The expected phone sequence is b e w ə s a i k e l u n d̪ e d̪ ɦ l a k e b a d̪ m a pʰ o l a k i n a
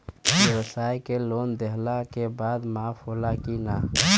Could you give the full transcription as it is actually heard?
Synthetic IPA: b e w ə s a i k e l o n d̪ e ɦ l a k e b a d̪ m a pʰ o l a k i n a